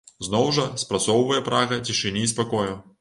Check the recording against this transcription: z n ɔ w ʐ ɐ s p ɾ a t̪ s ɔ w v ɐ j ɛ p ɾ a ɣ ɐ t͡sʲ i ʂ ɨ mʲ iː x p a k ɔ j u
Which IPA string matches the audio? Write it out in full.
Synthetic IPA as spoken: z n ɔ w ʐ ɐ s p ɾ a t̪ s ɔ w v ɐ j ɛ p ɾ a ɣ ɐ t͡sʲ i ʂ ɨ nʲ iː s p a k ɔ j u